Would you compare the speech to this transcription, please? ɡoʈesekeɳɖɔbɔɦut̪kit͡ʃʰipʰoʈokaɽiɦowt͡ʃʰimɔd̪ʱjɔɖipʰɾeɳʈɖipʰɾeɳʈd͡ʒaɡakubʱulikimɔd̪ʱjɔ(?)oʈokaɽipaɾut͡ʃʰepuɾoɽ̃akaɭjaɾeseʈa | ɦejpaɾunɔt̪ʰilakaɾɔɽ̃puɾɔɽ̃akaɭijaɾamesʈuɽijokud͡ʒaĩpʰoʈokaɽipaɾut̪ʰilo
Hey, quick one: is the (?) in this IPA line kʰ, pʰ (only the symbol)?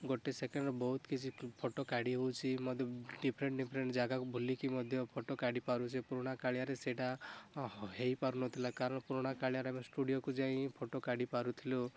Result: pʰ